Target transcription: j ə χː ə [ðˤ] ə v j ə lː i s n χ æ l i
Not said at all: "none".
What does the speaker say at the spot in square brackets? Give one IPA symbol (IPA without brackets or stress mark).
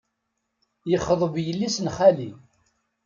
ðˤ